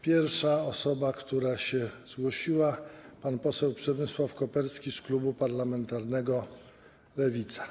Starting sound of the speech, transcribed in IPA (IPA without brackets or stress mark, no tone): pʲ